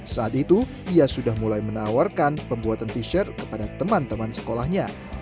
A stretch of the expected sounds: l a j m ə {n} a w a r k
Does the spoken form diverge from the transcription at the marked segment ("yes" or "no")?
no